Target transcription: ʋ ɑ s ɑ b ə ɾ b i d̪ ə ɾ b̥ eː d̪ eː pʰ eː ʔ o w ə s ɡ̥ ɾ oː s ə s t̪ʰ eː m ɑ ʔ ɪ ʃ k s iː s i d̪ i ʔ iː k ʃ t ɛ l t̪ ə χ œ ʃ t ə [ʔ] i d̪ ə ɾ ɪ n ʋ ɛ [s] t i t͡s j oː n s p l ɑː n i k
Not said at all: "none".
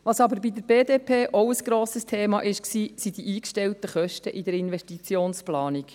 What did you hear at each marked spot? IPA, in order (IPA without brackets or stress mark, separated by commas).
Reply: ʔ, ʃ